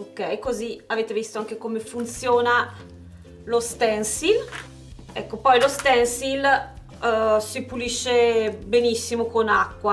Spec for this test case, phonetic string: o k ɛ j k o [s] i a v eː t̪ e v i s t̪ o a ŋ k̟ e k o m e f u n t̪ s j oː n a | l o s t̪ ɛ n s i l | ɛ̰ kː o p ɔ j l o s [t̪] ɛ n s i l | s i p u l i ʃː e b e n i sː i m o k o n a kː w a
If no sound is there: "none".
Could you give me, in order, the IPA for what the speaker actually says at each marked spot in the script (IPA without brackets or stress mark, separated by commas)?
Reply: z, t̪